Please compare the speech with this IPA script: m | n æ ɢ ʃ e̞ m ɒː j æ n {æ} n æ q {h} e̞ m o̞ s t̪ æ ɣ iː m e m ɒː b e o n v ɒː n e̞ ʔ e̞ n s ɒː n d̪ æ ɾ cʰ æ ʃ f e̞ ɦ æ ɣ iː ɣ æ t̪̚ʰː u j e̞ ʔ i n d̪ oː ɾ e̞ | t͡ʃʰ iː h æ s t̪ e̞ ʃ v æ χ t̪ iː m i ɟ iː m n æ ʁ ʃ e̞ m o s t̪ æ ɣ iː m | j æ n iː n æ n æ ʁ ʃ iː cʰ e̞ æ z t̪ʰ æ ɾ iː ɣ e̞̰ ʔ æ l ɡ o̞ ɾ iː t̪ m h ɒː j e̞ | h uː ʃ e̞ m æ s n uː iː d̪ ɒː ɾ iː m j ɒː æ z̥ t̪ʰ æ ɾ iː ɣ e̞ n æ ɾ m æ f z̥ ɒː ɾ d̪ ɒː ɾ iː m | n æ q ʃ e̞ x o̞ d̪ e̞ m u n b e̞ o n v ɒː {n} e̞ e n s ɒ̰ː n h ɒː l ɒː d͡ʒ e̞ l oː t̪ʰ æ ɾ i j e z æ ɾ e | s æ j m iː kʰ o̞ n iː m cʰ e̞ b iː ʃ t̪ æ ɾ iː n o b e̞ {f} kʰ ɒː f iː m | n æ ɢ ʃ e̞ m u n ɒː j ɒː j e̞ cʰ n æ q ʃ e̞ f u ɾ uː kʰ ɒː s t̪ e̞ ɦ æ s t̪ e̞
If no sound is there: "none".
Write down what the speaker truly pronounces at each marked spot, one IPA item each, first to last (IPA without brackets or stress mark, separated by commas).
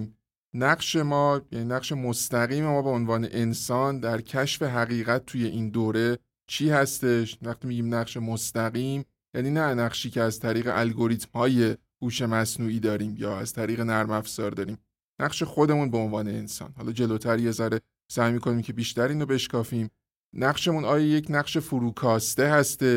i, ʃ, n, ʃ